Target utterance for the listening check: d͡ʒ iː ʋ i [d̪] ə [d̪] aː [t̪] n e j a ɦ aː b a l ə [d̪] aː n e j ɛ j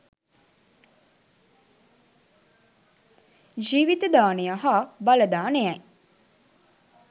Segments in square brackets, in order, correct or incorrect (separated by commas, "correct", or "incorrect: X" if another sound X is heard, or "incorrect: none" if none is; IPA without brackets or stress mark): incorrect: t̪, correct, incorrect: none, correct